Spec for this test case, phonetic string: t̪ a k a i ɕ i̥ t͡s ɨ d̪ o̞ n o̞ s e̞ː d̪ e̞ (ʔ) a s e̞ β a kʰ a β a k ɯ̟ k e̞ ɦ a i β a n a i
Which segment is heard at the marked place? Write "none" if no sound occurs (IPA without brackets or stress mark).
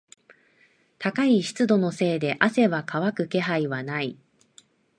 ʔ